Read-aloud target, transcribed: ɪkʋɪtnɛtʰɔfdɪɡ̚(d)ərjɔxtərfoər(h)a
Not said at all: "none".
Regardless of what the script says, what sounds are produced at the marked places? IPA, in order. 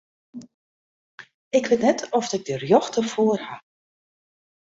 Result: d, h

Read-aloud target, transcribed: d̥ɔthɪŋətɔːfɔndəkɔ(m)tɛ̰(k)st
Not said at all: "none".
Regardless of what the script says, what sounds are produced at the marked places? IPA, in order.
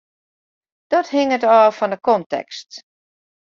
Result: n, k

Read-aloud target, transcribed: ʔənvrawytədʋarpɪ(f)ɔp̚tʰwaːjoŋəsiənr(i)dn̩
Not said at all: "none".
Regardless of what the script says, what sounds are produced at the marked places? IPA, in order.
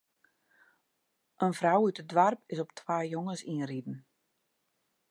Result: s, i

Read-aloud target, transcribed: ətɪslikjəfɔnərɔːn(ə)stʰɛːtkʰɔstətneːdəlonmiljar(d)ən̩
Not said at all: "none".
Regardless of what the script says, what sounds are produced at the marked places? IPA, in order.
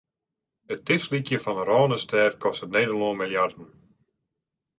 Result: ə, d

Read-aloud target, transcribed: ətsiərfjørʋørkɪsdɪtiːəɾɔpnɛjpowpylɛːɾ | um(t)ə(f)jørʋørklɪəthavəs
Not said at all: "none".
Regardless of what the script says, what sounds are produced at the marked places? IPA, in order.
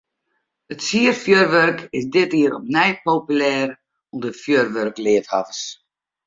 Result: d, f

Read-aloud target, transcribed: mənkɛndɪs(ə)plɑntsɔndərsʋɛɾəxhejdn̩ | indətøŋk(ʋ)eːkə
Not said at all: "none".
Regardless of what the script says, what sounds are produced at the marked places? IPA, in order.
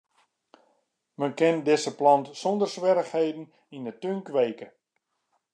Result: ə, ʋ

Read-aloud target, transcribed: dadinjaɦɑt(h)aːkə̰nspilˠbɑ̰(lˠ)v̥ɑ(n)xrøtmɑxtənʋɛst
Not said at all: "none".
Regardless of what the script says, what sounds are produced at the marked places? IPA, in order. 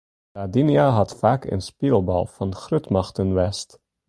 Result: f, lˠ, n

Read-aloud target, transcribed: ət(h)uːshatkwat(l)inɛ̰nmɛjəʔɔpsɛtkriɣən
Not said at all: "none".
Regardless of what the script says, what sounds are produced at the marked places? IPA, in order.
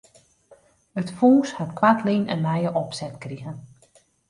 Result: f, l

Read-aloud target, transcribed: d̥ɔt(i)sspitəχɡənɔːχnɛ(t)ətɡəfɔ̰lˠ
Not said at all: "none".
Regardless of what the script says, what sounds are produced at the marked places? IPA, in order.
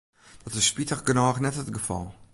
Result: ɪ, t

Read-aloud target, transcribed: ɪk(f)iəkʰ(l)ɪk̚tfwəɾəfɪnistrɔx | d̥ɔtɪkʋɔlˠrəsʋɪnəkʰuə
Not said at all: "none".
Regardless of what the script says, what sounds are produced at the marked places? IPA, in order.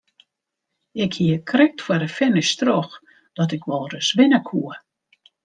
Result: h, r

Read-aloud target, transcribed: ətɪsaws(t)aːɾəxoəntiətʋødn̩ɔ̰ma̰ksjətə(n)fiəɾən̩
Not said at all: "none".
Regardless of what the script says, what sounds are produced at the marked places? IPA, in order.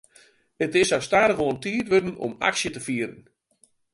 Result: t, none

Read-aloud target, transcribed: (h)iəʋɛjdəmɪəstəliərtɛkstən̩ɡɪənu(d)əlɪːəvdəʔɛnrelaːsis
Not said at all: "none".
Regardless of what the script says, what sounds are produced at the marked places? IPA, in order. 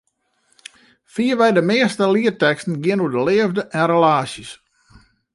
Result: f, d

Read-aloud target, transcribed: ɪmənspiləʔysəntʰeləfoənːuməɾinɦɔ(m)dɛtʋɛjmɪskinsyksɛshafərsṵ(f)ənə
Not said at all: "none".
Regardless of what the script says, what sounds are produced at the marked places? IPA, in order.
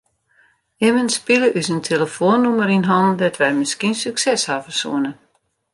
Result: n, none

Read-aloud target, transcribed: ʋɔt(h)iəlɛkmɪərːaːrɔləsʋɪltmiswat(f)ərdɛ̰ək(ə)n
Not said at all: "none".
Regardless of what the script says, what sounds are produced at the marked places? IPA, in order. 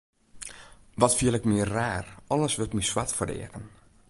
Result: f, f, ə

